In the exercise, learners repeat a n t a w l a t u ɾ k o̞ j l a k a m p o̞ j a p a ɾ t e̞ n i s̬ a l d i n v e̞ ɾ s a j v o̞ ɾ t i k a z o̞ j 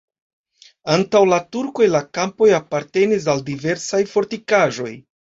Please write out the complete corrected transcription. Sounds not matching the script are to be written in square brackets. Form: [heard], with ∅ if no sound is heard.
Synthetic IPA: a n t a w l a t u ɾ k o̞ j l a k a m p o̞ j a p a ɾ t e̞ n i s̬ a l d i [∅] v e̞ ɾ s a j [f] o̞ ɾ t i k a [ʒ] o̞ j